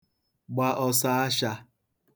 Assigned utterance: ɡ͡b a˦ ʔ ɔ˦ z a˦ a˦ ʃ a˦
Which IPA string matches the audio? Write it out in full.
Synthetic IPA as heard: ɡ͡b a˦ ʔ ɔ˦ s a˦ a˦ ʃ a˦